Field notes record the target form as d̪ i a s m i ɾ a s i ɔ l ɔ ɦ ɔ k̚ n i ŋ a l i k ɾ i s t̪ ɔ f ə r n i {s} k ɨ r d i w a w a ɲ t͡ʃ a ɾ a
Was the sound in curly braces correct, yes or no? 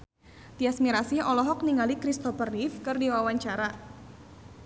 no